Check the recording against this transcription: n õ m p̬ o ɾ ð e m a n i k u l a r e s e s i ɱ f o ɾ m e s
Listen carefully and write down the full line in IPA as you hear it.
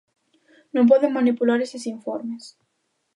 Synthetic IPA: n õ m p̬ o ð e m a n i p u l a ɾ e s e s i ɱ f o ɾ m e s